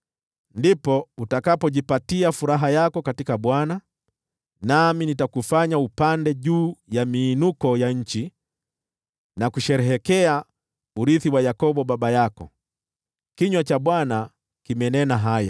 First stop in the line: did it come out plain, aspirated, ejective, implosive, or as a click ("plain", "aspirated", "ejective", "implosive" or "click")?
plain